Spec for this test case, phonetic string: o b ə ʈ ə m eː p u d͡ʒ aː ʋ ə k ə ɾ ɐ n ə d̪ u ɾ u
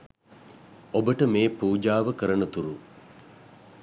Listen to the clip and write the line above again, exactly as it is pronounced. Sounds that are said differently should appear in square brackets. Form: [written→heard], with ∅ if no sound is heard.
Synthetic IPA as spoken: o b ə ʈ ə m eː p [u→uː] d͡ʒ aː ʋ ə k ə ɾ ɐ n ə [d̪→t̪] u ɾ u